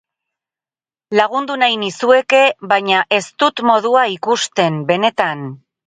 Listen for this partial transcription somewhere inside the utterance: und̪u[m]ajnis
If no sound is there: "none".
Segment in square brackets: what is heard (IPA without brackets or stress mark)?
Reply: n